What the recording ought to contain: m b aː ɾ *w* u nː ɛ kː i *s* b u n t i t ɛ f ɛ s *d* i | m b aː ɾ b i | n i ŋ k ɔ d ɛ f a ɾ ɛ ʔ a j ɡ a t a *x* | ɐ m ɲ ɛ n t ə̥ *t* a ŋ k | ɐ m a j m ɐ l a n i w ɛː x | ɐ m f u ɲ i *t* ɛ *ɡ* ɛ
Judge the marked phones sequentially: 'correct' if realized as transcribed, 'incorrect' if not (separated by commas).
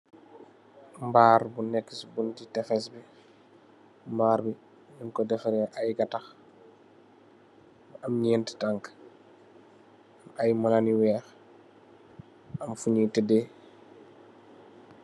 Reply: incorrect, correct, incorrect, correct, correct, correct, incorrect